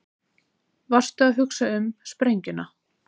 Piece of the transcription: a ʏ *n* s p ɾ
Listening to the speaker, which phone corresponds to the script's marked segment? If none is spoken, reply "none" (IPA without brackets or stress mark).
m